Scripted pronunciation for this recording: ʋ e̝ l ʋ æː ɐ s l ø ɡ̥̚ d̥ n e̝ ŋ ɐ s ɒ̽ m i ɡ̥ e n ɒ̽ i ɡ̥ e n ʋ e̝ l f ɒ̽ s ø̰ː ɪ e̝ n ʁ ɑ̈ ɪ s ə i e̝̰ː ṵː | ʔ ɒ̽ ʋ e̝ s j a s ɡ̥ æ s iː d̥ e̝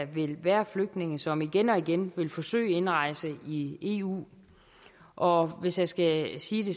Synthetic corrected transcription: ʋ e̝ l ʋ æː ɐ f l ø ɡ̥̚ d̥ n e̝ ŋ ə s ɒ̽ m i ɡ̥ e n ɒ̽ i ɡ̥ e n ʋ e̝ l f ɒ̽ s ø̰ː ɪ e̝ n ʁ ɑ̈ ɪ s ə i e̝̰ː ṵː | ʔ ɒ̽ ʋ e̝ s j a s ɡ̥ æ s iː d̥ e̝